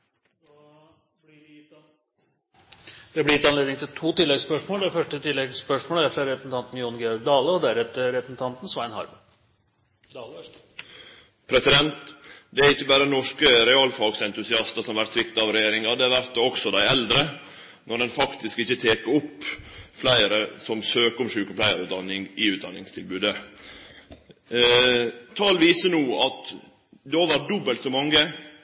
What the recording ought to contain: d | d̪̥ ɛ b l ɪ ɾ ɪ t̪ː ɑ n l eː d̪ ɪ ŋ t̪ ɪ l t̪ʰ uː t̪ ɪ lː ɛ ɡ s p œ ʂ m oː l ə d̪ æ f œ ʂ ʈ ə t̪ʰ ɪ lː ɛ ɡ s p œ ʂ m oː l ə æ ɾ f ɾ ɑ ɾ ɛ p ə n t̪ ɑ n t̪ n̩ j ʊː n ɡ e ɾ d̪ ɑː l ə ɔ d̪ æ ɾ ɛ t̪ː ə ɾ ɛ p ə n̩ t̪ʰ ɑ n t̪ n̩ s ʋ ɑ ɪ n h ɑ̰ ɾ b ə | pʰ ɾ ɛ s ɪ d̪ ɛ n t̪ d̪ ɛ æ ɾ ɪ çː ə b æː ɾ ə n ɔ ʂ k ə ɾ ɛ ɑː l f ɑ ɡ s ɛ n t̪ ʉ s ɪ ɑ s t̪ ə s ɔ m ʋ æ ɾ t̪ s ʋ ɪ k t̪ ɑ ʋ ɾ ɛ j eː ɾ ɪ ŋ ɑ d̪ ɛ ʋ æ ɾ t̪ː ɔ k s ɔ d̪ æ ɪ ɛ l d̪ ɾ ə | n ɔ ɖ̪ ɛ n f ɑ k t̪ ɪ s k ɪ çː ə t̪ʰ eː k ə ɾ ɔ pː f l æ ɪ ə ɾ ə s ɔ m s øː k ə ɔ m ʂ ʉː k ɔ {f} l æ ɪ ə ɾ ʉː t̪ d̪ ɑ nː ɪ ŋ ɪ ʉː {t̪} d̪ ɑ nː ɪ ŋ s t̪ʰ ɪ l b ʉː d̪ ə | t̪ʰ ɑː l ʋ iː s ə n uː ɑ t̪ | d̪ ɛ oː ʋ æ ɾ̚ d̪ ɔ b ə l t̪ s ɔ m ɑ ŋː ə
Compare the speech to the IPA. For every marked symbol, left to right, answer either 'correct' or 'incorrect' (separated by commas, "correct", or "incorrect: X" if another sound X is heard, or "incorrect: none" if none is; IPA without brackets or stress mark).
correct, correct